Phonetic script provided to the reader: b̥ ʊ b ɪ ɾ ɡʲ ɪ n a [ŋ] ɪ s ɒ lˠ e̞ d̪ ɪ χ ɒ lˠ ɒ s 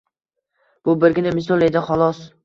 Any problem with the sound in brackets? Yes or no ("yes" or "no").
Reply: yes